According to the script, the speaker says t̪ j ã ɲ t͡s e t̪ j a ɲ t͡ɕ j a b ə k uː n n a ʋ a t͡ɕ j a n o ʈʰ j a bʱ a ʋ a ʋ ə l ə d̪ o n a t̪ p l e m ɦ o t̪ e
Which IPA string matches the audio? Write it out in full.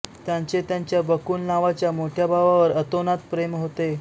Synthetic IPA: t̪ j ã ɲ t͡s e t̪ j a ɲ t͡ɕ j a b ə k uː n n a ʋ a t͡ɕ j a m o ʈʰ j a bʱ a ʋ a ʋ ə ɾ ə t̪ o n a t̪ p ɾ e m ɦ o t̪ e